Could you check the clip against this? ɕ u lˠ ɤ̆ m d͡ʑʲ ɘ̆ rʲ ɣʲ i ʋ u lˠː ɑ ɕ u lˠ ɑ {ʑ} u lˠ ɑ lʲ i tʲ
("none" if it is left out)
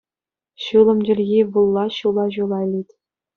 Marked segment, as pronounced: ʑ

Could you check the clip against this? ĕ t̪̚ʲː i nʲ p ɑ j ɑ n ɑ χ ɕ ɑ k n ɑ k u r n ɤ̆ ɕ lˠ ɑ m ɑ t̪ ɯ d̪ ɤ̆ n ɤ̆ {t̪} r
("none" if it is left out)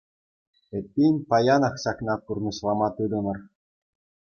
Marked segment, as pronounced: none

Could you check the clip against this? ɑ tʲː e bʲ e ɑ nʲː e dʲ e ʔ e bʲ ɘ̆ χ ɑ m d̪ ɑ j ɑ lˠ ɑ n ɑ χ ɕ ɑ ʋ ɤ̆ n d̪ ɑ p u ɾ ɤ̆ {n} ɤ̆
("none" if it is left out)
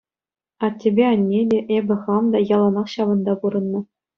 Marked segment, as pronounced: nː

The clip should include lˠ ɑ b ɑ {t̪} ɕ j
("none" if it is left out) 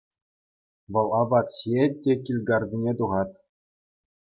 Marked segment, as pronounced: t̪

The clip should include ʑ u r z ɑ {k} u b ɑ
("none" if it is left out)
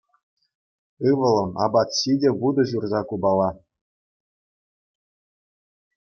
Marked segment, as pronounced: k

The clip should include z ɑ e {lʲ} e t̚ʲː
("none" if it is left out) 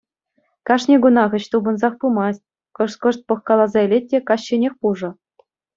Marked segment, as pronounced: lʲ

